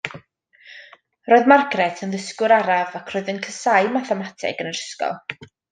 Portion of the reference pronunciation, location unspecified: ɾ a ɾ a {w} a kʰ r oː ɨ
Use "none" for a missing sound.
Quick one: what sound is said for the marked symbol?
v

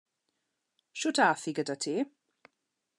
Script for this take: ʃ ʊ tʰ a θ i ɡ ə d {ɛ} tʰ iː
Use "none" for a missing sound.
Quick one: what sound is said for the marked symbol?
a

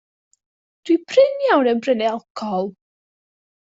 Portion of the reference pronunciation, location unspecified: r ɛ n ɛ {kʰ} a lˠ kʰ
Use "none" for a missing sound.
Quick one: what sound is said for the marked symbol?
none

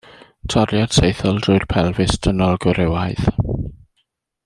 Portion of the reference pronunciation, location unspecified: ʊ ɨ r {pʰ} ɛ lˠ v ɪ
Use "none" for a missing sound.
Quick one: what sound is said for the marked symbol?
pʰ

